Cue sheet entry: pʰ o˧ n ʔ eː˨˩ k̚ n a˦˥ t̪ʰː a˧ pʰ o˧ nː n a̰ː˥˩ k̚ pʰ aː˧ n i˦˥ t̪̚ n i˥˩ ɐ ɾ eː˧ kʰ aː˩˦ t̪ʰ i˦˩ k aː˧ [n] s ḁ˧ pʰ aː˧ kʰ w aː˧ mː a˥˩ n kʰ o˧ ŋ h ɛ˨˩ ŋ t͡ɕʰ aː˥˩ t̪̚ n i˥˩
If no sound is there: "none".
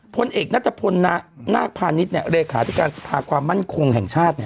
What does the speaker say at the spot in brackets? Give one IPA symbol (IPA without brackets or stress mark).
n